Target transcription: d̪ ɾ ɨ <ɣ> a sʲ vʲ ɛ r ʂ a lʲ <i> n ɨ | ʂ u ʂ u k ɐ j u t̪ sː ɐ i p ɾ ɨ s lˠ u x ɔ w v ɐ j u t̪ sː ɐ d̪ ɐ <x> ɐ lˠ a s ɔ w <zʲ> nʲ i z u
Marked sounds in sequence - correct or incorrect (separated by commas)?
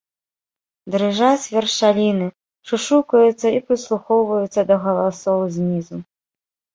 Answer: incorrect, correct, incorrect, correct